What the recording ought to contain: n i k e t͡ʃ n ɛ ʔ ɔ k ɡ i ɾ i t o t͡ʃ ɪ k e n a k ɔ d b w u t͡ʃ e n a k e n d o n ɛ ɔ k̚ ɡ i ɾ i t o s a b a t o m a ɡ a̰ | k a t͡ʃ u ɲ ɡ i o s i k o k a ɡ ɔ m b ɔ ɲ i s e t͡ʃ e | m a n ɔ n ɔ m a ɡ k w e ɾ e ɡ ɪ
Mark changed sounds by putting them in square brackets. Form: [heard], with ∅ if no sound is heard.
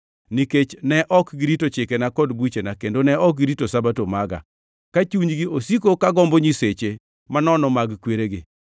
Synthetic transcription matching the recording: n i k e t͡ʃ n ɛ ʔ ɔ k ɡ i ɾ i t o t͡ʃ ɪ k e n a k ɔ d b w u t͡ʃ e n a k e n d o n ɛ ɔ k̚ ɡ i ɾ i t o s a b a t o m a ɡ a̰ | k a t͡ʃ u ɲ ɡ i o s i k o k a ɡ ɔ m b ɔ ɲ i s e t͡ʃ e | m a n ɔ n ɔ m a ɡ k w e ɾ e ɡ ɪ